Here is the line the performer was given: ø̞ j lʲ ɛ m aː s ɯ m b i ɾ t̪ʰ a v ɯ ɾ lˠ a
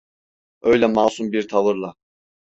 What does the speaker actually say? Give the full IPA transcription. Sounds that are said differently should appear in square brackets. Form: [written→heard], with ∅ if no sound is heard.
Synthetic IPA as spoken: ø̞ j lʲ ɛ m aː s [ɯ→u] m b i ɾ t̪ʰ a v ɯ ɾ lˠ a